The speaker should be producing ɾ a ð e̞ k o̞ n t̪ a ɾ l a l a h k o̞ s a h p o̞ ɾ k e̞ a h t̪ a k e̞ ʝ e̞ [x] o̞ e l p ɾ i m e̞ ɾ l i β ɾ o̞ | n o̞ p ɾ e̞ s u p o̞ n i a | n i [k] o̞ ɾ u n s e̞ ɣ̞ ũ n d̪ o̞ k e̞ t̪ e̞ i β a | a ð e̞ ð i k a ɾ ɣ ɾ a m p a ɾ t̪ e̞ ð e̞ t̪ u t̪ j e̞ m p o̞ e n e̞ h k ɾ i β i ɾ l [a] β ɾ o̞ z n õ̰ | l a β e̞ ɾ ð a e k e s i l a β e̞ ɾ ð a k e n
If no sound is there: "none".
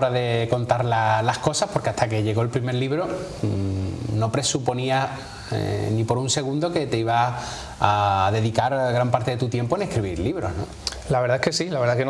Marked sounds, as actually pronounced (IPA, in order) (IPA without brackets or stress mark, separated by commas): ɣ, p, i